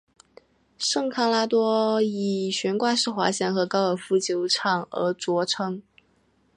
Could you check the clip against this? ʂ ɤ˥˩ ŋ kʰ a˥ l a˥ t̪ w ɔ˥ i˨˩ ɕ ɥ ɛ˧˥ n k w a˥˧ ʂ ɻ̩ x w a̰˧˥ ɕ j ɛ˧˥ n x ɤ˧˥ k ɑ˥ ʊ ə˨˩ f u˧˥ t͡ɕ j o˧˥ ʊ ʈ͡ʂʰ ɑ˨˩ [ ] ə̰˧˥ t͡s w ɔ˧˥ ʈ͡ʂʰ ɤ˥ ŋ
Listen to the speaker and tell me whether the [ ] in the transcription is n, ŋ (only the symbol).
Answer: ŋ